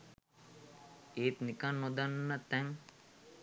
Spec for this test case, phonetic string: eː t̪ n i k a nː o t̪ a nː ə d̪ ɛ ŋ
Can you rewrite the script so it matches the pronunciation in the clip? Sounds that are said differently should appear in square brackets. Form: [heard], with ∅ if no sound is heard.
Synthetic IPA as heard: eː t̪ n i k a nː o [d̪] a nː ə [t̪] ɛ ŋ